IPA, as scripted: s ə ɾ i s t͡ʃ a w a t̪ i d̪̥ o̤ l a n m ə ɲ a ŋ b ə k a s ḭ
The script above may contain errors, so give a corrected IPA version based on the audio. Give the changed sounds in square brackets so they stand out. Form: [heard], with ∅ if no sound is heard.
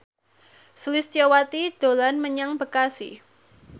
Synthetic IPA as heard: s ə [l] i s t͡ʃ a w a t̪ i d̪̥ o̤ l a n m ə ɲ a ŋ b ə k a s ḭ